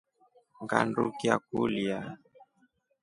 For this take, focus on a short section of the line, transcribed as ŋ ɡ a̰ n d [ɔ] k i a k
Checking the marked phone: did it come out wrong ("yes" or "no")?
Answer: yes